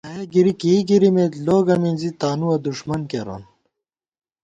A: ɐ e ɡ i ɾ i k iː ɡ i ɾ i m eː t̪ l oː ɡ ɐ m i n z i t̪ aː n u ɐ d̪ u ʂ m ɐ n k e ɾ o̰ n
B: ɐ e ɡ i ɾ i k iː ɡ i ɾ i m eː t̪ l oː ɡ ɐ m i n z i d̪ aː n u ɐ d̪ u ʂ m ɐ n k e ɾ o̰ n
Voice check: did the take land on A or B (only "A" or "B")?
A